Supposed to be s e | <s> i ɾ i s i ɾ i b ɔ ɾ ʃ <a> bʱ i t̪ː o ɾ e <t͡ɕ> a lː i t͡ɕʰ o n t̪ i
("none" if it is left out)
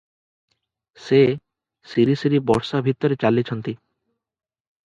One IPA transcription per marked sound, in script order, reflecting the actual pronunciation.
s, a, t͡ɕ

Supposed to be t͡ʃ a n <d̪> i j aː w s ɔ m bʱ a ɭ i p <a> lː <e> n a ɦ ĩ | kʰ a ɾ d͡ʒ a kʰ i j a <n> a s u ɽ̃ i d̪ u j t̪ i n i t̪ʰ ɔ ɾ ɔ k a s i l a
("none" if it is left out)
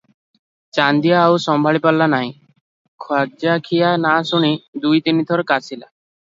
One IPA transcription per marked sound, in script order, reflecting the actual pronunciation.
d̪, a, a, n

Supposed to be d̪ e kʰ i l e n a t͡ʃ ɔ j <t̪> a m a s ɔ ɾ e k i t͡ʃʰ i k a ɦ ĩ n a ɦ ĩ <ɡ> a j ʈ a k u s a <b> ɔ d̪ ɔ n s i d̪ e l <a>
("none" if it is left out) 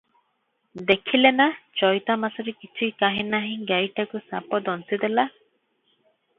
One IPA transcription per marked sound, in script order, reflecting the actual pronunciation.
t̪, ɡ, p, a

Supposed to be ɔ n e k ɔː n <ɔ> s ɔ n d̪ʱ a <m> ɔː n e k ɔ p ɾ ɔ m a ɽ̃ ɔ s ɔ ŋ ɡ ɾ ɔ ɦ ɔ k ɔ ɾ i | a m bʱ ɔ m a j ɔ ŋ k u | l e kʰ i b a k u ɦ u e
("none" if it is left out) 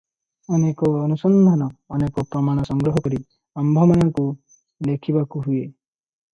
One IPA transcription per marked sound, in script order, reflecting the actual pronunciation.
u, n

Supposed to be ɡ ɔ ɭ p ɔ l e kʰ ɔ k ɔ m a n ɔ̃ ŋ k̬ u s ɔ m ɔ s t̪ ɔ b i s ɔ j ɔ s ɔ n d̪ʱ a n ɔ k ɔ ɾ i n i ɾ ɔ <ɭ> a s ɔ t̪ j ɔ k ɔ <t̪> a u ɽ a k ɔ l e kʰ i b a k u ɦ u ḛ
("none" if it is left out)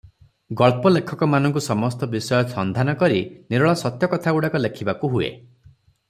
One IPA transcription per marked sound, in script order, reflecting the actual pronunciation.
ɭ, t̪ʰ

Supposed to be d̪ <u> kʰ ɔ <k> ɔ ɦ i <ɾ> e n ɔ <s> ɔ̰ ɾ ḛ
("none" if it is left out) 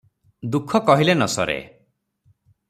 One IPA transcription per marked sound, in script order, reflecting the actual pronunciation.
u, k, l, s

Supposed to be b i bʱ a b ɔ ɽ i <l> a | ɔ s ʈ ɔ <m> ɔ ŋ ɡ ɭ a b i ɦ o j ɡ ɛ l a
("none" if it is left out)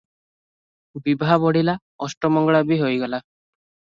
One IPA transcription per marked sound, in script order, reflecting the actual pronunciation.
l, m

